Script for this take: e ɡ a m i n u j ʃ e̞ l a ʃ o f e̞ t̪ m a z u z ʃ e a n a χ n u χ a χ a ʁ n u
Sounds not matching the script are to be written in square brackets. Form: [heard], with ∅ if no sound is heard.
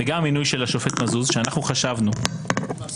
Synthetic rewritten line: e ɡ a m i n u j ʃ e̞ l a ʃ o f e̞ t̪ m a z u z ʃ e a n a χ n u χ a [ʃ] a [v] n u